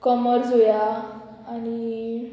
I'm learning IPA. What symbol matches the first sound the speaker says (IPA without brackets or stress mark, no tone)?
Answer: k